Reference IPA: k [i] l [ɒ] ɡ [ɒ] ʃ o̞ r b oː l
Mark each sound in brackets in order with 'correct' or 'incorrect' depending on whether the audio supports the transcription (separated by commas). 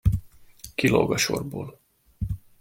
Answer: correct, incorrect, correct